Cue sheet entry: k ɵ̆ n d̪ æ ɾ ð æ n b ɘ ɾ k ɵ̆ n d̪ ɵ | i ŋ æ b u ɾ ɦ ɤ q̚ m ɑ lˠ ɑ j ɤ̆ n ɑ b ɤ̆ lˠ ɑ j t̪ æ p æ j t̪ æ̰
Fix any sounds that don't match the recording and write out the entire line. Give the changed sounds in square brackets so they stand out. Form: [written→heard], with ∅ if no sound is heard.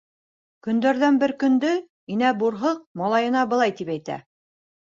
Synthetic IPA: k ɵ̆ n d̪ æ ɾ ð æ n b ɘ ɾ k ɵ̆ n d̪ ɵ | i [ŋ→n] æ b u ɾ ɦ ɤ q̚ m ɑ lˠ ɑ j ɤ̆ n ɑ b ɤ̆ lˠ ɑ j t̪ [æ→i] p æ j t̪ æ̰